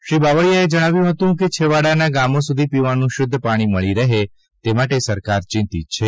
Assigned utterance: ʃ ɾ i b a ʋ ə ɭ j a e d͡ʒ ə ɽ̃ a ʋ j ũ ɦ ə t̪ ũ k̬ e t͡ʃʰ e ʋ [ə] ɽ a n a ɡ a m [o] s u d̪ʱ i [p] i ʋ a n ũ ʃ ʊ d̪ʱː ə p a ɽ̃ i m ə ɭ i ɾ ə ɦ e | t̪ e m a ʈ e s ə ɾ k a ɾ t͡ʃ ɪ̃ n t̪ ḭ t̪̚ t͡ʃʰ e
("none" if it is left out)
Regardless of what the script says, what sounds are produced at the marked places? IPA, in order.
a, o, p

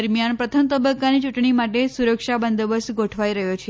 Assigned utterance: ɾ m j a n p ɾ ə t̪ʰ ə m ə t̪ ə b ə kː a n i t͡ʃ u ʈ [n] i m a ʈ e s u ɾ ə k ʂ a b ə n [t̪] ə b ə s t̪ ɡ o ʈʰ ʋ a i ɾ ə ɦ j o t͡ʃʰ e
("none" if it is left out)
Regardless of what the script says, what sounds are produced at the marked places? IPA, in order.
ɳ, d̪

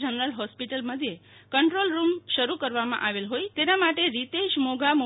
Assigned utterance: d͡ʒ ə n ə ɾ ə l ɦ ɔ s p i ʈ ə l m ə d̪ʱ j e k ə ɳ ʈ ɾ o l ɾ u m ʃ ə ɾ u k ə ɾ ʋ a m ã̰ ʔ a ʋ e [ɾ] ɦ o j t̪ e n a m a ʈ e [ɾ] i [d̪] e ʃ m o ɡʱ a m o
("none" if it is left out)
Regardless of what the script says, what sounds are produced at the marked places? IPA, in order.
l, ɾ, t̪

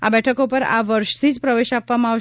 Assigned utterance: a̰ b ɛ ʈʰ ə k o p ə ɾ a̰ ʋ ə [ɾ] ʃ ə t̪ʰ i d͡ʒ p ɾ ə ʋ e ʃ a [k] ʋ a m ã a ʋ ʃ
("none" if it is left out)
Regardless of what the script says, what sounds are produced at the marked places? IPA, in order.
ɾ, p

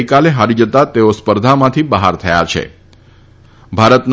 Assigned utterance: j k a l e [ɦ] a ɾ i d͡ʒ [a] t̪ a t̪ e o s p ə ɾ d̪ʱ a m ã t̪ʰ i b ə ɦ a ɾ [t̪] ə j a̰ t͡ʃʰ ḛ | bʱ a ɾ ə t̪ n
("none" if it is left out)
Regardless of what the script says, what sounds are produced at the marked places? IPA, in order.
ɦ, ə, t̪ʰ

